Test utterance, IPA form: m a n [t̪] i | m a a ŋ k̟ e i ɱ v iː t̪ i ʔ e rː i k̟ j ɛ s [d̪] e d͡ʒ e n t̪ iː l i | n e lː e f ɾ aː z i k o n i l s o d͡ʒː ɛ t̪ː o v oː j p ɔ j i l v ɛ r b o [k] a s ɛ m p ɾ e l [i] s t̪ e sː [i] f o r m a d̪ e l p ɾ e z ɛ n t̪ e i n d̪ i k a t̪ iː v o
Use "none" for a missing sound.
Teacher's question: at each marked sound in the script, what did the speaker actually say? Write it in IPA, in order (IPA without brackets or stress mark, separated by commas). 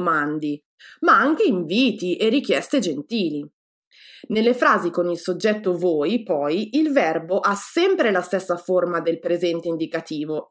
d̪, t̪, ʔ, a, a